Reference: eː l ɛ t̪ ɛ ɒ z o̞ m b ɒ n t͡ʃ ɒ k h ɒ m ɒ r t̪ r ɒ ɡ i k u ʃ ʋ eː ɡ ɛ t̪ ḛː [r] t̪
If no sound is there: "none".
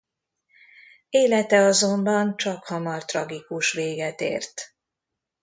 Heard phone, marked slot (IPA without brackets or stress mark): r